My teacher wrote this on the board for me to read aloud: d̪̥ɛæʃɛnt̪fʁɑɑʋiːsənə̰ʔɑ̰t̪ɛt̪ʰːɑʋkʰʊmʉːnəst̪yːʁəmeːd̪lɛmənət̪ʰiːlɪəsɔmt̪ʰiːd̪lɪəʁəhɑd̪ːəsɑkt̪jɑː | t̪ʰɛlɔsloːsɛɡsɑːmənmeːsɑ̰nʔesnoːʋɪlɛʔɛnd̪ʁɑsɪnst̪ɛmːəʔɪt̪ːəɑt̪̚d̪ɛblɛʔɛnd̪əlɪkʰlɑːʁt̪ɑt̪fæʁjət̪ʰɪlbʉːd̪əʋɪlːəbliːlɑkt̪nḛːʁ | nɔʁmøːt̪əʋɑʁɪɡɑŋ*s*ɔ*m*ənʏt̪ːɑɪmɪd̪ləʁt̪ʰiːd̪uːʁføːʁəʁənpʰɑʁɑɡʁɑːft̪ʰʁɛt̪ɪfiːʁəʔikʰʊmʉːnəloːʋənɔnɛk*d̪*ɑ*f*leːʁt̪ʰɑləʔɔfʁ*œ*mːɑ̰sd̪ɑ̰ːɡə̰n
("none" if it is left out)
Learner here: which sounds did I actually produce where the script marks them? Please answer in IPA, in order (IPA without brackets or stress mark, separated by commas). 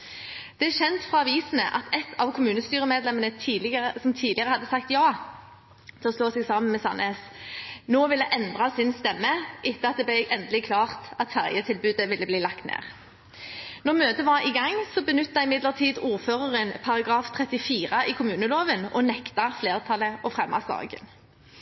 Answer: s, b, t̪, f, ɛ